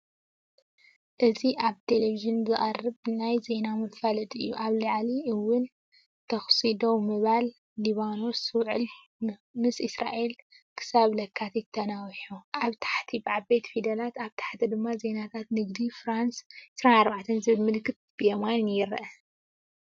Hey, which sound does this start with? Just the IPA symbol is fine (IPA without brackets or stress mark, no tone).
ʔ